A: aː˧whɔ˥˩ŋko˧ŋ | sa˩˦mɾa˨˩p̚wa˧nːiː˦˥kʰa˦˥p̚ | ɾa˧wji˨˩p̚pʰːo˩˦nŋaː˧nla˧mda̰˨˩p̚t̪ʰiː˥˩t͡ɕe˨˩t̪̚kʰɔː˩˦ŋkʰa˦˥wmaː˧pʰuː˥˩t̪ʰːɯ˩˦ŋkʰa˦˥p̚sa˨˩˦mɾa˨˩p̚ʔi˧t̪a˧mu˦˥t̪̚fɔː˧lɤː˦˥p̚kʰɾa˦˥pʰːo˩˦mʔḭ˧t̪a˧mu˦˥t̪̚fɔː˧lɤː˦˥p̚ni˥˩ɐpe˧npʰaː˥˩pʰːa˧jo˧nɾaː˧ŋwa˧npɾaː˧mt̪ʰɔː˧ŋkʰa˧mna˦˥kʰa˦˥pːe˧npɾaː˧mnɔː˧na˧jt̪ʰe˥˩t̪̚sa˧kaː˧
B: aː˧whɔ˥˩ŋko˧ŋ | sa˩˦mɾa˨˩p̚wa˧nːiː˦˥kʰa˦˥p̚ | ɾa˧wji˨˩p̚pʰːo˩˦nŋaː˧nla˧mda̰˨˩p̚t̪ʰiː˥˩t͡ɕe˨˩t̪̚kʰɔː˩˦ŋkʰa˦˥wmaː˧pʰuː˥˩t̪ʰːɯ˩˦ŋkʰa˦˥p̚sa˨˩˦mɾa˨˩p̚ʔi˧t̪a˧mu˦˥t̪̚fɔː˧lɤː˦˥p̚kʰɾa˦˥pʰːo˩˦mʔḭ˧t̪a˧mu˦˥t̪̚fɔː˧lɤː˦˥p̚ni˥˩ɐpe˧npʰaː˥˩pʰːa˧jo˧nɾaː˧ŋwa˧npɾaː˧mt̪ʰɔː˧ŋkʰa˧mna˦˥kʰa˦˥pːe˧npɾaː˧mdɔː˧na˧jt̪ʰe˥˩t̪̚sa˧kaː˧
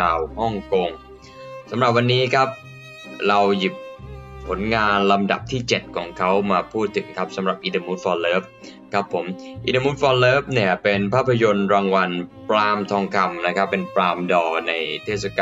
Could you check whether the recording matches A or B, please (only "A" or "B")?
B